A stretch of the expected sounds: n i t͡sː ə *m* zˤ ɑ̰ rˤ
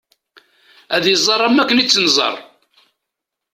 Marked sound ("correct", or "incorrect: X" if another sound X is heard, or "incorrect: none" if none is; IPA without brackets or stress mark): incorrect: n